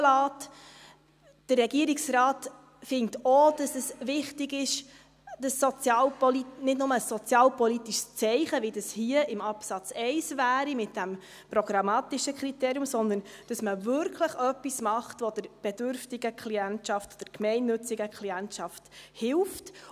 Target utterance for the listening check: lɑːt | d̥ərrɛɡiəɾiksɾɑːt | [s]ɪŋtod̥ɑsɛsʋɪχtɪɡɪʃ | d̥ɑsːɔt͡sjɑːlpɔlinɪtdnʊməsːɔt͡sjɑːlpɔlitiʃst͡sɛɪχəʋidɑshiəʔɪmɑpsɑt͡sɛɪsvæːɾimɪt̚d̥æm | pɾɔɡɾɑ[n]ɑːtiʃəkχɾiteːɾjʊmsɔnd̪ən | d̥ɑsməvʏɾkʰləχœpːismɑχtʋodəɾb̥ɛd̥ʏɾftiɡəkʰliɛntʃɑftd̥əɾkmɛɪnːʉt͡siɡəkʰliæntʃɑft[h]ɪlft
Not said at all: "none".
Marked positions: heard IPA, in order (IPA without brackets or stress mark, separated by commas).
f, m, h